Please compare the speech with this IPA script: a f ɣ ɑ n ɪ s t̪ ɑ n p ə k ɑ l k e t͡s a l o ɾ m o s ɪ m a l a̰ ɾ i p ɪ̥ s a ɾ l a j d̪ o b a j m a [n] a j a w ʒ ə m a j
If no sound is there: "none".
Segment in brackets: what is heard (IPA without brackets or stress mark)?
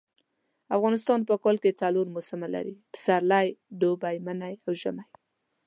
n